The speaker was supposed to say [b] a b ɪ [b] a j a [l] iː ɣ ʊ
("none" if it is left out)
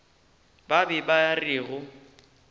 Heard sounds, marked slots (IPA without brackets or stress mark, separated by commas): b, b, r